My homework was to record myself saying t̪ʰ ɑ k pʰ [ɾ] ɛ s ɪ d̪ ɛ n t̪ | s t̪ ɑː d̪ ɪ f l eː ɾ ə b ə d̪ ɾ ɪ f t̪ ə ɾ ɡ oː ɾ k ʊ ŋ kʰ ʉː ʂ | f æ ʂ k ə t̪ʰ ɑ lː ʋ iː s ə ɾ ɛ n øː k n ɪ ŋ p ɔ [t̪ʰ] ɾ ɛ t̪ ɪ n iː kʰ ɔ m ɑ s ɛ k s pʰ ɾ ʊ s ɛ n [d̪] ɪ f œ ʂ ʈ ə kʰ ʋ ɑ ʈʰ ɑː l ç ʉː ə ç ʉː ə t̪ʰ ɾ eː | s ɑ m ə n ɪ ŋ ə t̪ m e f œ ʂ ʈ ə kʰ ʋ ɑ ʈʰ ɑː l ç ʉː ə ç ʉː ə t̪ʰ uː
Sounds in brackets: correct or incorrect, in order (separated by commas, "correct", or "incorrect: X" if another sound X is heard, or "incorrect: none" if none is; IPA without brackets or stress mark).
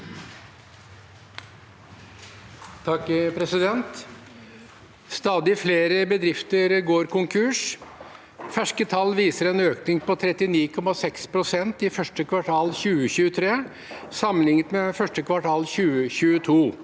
correct, correct, incorrect: t̪